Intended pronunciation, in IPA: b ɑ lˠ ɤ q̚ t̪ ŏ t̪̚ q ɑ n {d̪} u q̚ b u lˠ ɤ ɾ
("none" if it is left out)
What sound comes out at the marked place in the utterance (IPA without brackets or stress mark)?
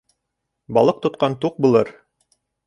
t̪